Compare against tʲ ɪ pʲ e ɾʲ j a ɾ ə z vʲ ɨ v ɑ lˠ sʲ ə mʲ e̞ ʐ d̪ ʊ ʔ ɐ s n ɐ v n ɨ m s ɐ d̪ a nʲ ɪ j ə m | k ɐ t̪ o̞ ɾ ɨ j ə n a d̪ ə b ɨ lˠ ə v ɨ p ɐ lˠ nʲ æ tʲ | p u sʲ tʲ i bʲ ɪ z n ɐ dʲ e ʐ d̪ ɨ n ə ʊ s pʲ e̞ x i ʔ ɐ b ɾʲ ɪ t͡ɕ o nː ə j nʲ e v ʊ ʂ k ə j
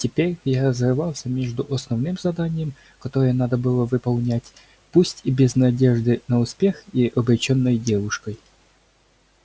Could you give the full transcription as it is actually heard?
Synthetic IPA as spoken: tʲ ɪ pʲ e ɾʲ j a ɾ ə z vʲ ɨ v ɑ lˠ sʲ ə mʲ e̞ ʐ d̪ ʊ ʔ ɐ s n ɐ v n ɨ m z ɐ d̪ a nʲ ɪ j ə m | k ɐ t̪ o̞ ɾ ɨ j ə n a d̪ ə b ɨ lˠ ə v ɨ p ɐ lˠ nʲ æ tʲ | p u sʲ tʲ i bʲ ɪ z n ɐ dʲ e ʐ d̪ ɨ n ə ʊ s pʲ e̞ x i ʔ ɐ b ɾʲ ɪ t͡ɕ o nː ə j dʲ e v ʊ ʂ k ə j